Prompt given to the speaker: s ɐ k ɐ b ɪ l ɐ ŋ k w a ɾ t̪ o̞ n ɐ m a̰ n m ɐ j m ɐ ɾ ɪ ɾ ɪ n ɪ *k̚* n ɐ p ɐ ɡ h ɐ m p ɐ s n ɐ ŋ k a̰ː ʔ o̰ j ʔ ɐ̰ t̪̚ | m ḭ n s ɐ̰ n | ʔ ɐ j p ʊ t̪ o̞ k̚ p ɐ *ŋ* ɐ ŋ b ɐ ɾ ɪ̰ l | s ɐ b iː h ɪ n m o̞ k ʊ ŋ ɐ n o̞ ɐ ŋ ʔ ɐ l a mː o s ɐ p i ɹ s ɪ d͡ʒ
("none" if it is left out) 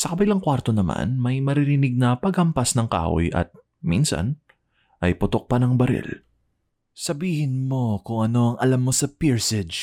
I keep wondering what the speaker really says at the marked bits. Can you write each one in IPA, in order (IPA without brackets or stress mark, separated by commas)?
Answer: ɡ̚, n